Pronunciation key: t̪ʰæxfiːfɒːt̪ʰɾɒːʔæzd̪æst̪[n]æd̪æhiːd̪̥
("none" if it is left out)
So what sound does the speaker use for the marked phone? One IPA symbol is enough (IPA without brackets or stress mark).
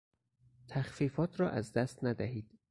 n